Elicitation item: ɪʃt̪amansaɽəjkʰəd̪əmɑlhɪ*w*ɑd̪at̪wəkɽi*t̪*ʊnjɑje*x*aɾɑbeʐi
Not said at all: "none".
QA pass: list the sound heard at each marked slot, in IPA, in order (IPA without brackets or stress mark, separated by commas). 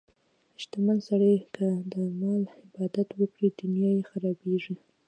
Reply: b, d̪, x